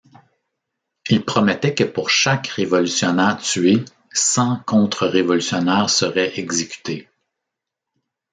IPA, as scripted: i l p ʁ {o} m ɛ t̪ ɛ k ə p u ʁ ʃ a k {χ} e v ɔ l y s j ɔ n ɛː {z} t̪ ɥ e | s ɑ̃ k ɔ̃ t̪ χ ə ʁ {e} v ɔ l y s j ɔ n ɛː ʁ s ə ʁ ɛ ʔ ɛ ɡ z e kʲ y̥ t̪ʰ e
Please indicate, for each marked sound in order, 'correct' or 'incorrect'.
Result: incorrect, incorrect, incorrect, correct

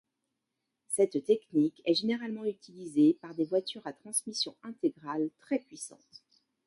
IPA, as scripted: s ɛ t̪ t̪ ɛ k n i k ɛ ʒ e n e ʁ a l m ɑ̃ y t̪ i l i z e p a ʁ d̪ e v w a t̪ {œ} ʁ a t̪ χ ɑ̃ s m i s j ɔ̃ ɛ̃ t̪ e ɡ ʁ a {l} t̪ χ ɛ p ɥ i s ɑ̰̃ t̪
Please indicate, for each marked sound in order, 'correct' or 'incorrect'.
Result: incorrect, correct

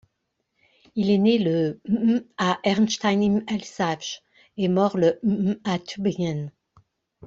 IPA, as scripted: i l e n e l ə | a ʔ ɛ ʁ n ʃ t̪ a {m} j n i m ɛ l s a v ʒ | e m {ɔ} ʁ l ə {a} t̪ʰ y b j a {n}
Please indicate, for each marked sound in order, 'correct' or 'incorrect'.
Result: incorrect, correct, correct, correct

